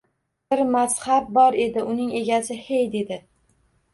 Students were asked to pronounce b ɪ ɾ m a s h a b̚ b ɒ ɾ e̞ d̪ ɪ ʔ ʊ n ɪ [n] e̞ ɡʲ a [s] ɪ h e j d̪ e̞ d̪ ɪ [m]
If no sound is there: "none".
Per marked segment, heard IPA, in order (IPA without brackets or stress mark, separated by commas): ŋ, s, none